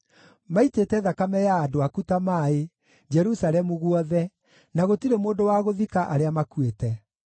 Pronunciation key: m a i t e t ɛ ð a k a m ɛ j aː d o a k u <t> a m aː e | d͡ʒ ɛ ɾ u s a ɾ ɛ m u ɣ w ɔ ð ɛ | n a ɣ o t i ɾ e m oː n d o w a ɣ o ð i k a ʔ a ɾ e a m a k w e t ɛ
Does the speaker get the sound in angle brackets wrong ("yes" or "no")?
no